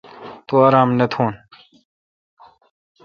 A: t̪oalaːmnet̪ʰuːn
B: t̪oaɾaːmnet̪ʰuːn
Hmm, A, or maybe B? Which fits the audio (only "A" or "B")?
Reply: B